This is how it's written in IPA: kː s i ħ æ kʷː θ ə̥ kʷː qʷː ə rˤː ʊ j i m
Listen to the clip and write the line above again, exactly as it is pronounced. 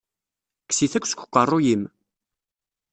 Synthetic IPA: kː s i θ æ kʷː s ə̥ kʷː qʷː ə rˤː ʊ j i m